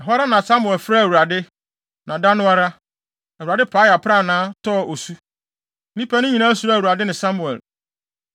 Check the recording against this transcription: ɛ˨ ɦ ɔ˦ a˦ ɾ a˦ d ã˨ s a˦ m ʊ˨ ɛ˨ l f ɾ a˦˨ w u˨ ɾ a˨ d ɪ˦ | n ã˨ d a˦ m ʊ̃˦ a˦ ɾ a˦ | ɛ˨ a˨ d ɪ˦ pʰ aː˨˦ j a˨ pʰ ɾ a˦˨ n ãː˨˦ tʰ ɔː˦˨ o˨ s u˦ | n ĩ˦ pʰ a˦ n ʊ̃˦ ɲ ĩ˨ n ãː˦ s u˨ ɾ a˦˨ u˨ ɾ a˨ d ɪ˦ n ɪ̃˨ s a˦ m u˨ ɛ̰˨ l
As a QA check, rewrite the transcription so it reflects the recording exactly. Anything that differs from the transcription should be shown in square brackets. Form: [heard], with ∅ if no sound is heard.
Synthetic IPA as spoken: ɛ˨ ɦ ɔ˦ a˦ ɾ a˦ [n] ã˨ s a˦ m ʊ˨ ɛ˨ l f ɾ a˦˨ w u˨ ɾ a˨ d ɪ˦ | n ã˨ d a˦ [n] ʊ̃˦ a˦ ɾ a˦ | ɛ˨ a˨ d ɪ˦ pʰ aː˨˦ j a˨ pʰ ɾ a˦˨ n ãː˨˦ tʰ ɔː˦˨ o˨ s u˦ | n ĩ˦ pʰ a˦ n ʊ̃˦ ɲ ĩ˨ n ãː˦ s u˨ ɾ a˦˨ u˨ ɾ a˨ d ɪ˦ n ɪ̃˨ s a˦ m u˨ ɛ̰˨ l

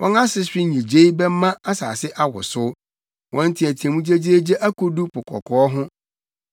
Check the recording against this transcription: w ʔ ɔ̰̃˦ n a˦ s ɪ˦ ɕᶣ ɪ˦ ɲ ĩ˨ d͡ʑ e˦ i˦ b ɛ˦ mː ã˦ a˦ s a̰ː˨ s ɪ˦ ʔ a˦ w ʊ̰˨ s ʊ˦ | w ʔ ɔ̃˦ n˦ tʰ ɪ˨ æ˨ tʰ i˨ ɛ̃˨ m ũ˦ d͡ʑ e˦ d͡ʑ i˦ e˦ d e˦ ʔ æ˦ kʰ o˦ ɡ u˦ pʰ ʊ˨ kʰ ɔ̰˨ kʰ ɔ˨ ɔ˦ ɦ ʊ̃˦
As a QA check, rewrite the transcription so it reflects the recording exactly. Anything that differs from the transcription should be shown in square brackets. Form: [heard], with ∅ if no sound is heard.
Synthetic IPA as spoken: w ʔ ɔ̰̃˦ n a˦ s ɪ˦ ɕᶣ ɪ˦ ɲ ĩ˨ d͡ʑ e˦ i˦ b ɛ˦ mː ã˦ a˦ s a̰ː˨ s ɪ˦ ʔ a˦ w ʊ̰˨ s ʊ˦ | w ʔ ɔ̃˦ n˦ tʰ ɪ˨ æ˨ tʰ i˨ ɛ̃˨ m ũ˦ d͡ʑ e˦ d͡ʑ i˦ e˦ [d͡ʑ] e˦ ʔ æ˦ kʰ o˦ [d] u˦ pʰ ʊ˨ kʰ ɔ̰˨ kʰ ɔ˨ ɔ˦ ɦ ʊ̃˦

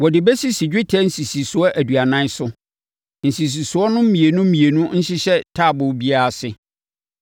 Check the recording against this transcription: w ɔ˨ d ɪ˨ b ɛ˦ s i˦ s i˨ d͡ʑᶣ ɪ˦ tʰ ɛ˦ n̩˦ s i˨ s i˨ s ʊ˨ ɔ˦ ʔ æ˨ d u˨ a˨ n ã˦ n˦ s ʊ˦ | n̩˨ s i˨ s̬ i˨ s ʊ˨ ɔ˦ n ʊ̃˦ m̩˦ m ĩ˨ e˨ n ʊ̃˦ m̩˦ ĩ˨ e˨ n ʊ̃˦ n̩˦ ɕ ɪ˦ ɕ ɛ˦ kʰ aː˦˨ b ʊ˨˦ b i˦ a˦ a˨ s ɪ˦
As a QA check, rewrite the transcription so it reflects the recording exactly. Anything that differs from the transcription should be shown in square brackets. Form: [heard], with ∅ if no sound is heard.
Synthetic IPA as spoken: w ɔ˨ d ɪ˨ b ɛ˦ s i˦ s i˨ d͡ʑᶣ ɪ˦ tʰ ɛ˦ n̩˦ s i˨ s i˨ s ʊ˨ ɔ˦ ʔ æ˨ d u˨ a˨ n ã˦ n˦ s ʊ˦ | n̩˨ s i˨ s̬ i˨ s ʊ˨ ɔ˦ n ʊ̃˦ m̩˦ m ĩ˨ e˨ n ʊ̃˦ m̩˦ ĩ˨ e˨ n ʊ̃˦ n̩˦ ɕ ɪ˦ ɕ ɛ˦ [tʰ] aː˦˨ b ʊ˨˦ b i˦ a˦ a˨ s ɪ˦

